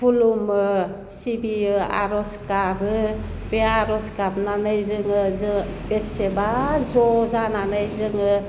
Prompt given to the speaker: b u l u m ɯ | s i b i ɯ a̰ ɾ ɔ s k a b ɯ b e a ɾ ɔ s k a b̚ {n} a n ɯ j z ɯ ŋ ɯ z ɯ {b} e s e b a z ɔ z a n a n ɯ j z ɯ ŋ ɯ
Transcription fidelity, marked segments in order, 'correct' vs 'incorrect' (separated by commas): correct, correct